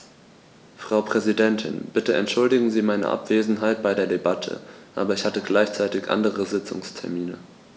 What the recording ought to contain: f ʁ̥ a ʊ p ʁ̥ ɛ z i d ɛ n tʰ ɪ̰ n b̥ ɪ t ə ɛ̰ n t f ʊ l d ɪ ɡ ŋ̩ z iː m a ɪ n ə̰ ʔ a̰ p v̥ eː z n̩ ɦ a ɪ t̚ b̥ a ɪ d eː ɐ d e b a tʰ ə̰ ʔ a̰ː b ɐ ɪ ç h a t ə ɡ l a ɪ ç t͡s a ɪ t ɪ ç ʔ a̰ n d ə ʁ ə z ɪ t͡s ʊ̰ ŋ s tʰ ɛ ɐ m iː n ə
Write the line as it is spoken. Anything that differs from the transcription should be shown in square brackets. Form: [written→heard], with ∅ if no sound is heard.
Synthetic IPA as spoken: f ʁ̥ a ʊ p ʁ̥ ɛ z i d ɛ n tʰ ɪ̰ n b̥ ɪ t ə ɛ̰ n t [f→ʃ] ʊ l d ɪ ɡ ŋ̩ z iː m a ɪ n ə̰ ʔ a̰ p v̥ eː z n̩ ɦ a ɪ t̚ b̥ a ɪ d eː ɐ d e b a tʰ ə̰ ʔ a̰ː b ɐ ɪ ç h a t ə ɡ l a ɪ ç t͡s a ɪ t ɪ ç ʔ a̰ n d ə ʁ ə z ɪ t͡s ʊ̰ ŋ s tʰ ɛ ɐ m iː n ə